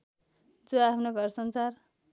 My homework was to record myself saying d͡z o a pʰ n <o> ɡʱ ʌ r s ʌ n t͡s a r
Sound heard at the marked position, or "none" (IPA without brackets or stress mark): o